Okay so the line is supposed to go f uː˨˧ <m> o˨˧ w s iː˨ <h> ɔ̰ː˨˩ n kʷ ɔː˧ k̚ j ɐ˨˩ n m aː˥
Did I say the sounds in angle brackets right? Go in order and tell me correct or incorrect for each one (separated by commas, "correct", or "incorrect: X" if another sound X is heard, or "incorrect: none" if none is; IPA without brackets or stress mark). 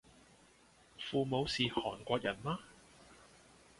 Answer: correct, correct